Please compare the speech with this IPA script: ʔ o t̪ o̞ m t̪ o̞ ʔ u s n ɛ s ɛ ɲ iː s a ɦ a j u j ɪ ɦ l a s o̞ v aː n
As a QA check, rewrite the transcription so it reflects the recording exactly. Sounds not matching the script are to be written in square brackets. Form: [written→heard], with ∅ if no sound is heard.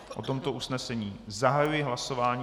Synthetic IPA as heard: ʔ o t̪ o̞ m t̪ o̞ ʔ u s n ɛ s ɛ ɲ iː [s→z] a ɦ a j u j ɪ ɦ l a s o̞ v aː [n→ɲ]